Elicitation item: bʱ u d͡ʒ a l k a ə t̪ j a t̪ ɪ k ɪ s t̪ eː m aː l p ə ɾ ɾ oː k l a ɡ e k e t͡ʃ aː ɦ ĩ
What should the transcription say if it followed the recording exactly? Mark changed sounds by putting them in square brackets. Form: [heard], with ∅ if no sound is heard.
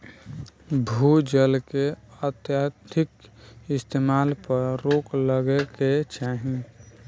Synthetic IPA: bʱ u d͡ʒ [ə] l k [e] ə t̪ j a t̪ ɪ k ɪ s t̪ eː m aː l p ə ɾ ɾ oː k l [ə] ɡ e k e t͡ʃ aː ɦ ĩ

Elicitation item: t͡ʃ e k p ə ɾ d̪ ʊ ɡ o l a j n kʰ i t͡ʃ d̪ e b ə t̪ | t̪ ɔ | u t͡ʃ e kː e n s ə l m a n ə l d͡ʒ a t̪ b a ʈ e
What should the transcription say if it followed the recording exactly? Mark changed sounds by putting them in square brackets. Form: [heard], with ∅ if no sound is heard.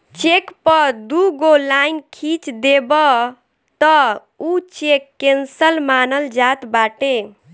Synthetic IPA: t͡ʃ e k p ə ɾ d̪ [u] ɡ o l a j n kʰ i t͡ʃ d̪ e b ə [∅] | t̪ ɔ | u t͡ʃ e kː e n s ə l m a n ə l d͡ʒ a t̪ b a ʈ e

